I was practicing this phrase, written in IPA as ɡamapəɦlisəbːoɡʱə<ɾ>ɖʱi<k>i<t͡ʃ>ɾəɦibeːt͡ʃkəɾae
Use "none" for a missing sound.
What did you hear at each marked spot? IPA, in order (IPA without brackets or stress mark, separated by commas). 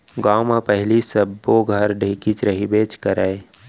ɾ, k, t͡ʃ